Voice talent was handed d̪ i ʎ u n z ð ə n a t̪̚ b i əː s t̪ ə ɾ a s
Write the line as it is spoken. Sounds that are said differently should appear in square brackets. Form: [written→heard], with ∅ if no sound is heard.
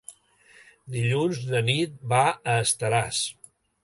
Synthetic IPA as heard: d̪ i ʎ u n z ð ə n [a→i] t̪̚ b [i→a] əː s t̪ ə ɾ a s